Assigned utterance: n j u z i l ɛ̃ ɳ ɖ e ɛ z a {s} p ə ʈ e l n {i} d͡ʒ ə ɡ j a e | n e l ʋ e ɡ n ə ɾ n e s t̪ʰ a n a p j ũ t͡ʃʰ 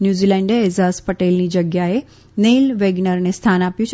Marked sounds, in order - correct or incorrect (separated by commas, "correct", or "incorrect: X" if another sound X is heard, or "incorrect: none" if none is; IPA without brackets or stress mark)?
correct, correct